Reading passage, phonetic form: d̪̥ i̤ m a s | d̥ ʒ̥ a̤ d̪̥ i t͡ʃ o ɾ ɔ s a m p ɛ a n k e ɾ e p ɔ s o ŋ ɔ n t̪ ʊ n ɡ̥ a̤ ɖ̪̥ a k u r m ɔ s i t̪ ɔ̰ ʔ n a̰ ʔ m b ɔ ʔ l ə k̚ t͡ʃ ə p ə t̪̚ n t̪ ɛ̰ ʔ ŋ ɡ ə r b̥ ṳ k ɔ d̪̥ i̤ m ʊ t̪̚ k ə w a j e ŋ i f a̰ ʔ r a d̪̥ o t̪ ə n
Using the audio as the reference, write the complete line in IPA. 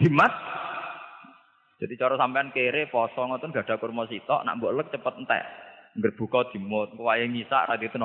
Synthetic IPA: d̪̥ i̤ m a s | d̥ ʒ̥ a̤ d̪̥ i t͡ʃ ɔ ɾ ɔ s a m p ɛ a n k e ɾ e p ɔ s ɔ ŋ ɔ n t̪ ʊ n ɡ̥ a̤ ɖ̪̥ a k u r m ɔ s i t̪ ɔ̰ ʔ n a̰ ʔ m b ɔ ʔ l ə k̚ t͡ʃ ə p ə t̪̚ n t̪ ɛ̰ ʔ ŋ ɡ ə r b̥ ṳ k ɔ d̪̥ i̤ m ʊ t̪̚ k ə w a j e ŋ i s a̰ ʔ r a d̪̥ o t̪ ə n